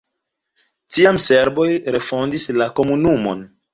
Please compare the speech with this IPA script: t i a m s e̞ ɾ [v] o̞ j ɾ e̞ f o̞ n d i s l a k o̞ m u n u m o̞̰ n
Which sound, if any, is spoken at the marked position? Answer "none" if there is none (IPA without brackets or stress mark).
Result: b